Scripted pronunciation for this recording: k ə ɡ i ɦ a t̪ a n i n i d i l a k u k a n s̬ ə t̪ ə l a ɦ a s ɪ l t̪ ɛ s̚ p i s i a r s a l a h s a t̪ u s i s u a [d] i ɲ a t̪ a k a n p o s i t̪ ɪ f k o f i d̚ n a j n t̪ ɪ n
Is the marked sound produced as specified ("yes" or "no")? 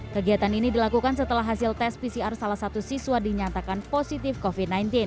yes